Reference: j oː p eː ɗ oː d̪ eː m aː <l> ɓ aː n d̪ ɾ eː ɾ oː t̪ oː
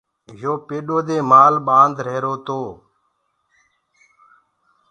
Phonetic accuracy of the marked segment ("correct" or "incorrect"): correct